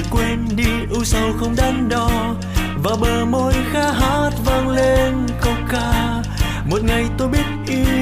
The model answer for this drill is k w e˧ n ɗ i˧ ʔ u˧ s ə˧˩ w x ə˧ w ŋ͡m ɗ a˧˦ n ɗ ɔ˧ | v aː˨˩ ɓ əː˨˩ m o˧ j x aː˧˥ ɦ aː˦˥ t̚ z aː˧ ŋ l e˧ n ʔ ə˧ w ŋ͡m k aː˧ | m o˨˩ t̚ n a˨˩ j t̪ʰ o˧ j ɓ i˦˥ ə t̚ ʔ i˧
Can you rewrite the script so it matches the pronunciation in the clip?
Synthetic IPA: k w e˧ n ɗ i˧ ʔ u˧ s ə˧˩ w x ə˧ w ŋ͡m ɗ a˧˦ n ɗ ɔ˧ | v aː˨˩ ɓ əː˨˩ m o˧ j x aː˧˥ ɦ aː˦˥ t̚ v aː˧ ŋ l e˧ n k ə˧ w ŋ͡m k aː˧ | m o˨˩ t̚ ŋ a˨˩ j t̪ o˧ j ɓ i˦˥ ə t̚ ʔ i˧